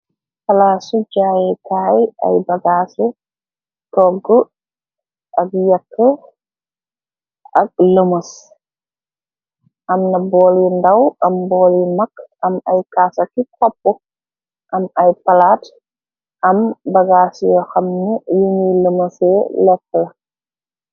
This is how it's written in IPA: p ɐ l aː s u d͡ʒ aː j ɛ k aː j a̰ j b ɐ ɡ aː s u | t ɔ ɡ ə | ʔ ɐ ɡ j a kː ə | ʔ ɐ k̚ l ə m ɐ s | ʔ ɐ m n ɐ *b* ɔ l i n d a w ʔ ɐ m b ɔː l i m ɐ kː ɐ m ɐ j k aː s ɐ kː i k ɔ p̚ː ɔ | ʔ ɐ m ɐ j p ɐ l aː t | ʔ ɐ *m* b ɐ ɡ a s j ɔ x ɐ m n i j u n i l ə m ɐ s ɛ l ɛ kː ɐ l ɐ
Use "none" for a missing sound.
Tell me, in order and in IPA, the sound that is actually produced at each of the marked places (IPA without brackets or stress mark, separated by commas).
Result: b, m